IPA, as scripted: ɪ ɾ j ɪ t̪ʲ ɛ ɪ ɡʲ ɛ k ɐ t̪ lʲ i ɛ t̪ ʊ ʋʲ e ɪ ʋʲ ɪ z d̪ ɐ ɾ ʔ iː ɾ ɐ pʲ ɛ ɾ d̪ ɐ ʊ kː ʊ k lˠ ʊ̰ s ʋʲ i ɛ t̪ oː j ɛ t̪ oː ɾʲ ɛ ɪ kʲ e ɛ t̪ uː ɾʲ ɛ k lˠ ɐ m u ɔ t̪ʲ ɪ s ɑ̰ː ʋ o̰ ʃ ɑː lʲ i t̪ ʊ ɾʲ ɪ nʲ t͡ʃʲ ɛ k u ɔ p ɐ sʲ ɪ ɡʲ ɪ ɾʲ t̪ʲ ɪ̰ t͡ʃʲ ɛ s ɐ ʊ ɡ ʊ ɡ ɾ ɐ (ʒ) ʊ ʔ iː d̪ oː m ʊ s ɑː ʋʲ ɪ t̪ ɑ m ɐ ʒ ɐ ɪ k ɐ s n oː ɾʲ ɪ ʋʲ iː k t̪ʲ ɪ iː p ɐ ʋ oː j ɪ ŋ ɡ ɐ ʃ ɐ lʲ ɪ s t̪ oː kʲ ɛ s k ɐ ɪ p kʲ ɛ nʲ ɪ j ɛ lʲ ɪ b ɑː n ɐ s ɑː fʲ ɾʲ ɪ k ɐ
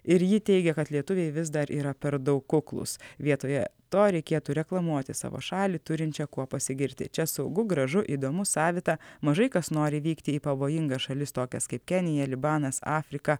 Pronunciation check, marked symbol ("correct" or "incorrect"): correct